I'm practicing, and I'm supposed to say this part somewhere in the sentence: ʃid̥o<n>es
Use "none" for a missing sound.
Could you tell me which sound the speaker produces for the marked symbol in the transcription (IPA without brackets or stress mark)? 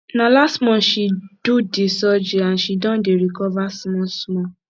d